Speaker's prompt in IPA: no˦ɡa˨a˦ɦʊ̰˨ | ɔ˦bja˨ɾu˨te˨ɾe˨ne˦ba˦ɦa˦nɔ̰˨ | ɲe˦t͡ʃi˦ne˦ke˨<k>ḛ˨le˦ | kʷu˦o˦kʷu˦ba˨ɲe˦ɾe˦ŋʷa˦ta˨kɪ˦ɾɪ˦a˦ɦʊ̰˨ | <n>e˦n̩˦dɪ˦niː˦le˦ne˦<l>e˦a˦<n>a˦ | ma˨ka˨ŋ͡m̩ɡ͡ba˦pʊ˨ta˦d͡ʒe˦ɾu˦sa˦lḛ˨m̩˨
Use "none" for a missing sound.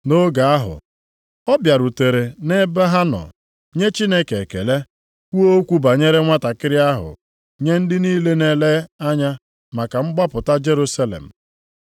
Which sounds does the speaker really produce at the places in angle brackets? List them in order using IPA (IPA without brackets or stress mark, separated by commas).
k, ɲ, l, ɲ